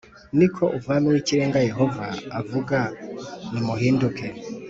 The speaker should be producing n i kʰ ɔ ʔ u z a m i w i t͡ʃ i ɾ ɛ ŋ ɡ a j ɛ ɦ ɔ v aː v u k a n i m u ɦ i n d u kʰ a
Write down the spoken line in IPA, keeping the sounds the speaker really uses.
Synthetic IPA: n i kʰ ɔ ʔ u v a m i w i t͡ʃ i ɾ ɛ ŋ ɡ a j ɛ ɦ ɔ v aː v u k a n i m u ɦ i n d u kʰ ɛ